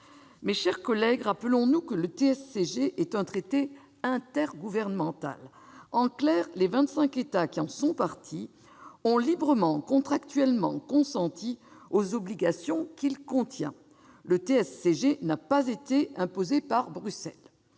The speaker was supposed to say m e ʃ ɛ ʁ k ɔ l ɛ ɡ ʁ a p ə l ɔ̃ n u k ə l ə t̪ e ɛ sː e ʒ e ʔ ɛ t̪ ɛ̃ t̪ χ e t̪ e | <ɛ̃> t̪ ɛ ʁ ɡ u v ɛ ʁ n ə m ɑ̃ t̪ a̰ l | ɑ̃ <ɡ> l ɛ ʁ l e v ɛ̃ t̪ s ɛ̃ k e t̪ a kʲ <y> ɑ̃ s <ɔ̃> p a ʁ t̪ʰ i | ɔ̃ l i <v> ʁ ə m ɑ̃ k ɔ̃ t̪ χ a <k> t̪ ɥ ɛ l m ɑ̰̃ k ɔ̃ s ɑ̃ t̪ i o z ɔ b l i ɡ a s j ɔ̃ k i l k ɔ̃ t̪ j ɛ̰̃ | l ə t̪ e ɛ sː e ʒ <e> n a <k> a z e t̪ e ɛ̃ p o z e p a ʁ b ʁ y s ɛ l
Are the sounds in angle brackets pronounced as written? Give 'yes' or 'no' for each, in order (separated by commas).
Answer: yes, no, no, yes, no, yes, yes, no